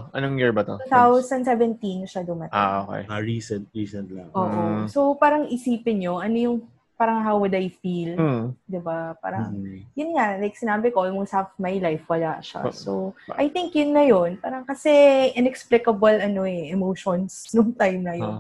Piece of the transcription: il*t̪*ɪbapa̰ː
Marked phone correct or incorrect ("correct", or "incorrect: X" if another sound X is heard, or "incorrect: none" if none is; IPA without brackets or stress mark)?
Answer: incorrect: d̪